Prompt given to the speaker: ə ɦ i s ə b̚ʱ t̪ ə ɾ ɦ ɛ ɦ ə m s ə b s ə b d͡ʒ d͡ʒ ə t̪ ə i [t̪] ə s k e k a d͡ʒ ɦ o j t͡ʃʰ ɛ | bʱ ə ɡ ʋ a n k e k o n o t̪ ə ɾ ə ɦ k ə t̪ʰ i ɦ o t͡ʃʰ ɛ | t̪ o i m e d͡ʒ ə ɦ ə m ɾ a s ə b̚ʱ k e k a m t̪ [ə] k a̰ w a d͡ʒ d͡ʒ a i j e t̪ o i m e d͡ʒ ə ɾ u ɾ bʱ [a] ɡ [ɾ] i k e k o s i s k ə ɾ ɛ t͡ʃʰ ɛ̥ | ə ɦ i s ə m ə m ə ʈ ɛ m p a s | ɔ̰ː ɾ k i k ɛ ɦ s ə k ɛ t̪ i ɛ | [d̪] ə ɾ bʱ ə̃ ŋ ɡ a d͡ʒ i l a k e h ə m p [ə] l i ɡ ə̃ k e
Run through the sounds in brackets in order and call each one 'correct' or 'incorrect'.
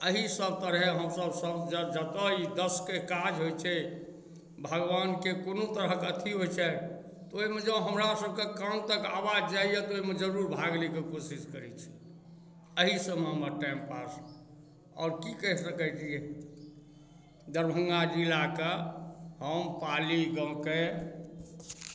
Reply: incorrect: d̪, correct, correct, incorrect: l, correct, incorrect: a

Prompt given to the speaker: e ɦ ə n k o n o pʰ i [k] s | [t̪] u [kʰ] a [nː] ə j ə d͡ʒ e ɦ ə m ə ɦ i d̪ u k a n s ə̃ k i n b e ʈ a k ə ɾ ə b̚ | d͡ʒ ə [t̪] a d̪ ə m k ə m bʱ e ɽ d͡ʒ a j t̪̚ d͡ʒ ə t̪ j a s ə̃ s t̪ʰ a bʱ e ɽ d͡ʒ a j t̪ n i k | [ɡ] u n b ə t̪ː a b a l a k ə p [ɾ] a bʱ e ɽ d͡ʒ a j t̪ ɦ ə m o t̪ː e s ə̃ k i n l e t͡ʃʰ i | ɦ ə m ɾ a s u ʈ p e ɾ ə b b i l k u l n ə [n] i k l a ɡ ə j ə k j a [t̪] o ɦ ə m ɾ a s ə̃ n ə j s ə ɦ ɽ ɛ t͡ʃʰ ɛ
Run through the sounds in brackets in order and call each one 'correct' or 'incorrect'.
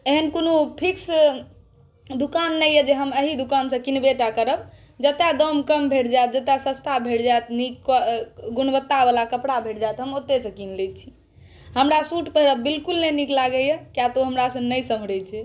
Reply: correct, incorrect: d̪, incorrect: k, correct, correct, correct, incorrect: ɽ, correct, correct

